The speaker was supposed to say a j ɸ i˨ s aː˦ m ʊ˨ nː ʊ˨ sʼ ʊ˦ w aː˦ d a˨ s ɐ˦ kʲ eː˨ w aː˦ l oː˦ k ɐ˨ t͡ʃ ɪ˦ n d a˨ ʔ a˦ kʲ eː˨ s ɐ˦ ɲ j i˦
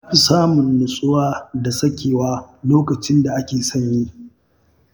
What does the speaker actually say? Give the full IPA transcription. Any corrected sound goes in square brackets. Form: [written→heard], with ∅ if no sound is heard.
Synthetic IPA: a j ɸ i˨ s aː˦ m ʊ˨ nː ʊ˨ sʼ ʊ˦ w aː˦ d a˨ s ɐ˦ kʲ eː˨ w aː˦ l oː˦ k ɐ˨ t͡ʃ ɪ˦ n d a˨ ʔ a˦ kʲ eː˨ s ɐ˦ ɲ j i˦